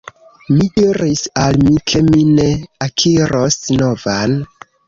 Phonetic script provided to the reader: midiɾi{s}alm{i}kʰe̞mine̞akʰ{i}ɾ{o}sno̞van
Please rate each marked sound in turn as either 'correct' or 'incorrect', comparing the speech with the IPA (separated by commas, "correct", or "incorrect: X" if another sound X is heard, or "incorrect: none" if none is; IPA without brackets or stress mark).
correct, correct, correct, correct